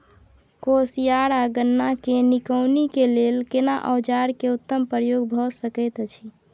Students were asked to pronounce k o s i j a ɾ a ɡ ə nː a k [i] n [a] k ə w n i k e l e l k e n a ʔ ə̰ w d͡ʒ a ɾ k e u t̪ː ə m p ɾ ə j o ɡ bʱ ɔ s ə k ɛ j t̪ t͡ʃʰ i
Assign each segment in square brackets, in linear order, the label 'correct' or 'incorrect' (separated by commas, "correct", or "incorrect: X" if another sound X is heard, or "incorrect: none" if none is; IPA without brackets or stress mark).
incorrect: e, incorrect: i